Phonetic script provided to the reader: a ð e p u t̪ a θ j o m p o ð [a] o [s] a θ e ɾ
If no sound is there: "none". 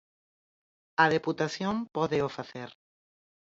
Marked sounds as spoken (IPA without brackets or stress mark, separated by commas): e, f